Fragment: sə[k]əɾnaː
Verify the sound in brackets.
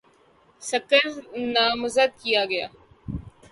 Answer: correct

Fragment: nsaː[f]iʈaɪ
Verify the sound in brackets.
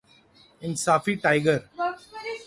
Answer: correct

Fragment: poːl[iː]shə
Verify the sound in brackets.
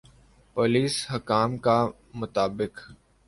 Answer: correct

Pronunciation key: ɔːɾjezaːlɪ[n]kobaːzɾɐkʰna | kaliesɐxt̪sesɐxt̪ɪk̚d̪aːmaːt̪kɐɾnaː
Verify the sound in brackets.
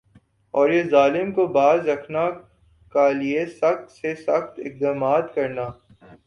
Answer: incorrect: m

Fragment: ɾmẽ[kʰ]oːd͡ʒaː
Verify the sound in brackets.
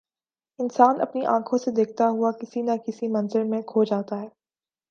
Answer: correct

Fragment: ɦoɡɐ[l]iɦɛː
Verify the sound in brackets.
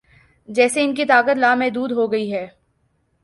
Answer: incorrect: none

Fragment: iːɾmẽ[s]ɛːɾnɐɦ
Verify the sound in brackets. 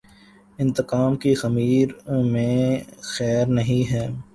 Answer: incorrect: x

